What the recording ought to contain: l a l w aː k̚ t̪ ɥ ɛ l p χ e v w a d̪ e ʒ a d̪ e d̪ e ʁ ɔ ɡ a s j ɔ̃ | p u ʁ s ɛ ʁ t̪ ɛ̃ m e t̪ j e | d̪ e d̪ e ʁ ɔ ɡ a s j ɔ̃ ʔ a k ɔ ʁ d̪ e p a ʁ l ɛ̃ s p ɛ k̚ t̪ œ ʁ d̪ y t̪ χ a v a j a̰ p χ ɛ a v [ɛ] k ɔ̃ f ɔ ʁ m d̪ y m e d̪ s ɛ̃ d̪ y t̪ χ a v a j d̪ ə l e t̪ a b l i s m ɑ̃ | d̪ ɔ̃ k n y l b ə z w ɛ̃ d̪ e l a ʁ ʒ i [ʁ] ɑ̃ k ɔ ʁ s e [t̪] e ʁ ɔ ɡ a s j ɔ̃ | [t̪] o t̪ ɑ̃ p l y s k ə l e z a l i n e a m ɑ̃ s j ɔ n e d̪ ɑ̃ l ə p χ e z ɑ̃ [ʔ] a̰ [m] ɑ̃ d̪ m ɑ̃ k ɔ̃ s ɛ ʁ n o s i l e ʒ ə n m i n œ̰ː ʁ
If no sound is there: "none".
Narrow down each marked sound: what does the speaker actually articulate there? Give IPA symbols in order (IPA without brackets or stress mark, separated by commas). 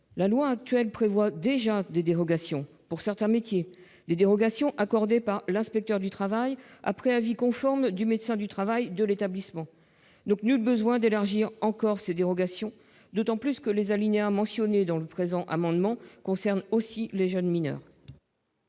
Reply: i, ʁ, d̪, d̪, ʔ, m